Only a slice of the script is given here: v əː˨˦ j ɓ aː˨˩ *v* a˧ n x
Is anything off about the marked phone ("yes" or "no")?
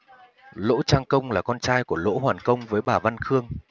no